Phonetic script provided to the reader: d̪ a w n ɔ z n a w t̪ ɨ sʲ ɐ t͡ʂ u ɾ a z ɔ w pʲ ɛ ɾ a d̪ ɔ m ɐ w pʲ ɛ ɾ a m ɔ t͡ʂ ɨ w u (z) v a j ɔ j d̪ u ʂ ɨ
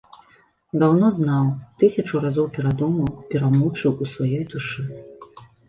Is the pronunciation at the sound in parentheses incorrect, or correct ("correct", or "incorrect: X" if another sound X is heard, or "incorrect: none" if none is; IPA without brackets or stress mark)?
incorrect: s